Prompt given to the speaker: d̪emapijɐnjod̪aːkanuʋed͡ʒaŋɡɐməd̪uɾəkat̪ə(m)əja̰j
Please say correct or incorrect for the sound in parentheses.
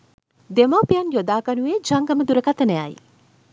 incorrect